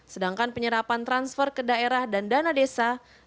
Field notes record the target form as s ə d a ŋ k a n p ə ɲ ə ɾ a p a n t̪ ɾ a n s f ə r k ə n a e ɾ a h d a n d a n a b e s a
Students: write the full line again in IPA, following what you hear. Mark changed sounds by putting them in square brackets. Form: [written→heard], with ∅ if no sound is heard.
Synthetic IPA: s ə d a ŋ k a n p ə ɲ ə ɾ a p a n t̪ ɾ a n s f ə r k ə [n→d] a e ɾ a h d a n d a n a [b→d] e s a